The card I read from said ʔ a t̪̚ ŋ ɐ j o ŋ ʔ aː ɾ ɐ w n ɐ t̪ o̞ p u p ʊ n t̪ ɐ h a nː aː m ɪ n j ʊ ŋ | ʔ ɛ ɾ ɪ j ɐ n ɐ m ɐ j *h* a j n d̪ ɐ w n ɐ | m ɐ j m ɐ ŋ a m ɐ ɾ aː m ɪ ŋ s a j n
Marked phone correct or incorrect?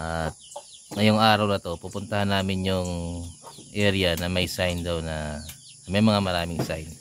incorrect: s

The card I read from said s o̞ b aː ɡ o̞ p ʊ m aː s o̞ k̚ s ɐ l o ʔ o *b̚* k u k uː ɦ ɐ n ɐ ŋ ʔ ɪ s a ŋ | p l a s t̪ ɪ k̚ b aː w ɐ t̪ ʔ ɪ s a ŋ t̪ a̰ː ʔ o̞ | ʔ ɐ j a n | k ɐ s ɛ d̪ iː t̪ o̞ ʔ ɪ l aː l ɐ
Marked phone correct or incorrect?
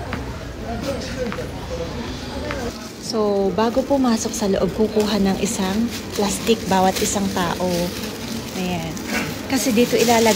correct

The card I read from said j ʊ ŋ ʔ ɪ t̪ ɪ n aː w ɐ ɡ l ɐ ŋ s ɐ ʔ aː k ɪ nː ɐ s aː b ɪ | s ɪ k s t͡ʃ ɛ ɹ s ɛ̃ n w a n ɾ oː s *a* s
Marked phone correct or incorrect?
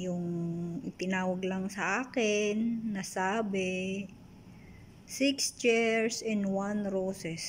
incorrect: ɛ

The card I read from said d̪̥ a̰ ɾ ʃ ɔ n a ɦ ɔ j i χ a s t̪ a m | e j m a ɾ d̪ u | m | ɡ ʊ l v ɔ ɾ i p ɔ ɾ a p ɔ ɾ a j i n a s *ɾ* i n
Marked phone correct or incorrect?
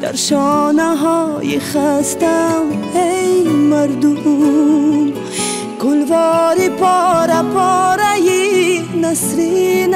correct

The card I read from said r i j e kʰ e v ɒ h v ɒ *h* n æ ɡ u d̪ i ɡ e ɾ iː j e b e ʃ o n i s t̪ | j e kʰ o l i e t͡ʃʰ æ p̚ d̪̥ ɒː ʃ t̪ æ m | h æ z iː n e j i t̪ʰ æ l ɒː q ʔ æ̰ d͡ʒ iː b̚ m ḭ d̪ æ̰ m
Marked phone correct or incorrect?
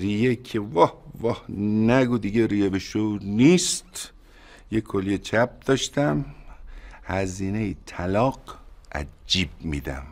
correct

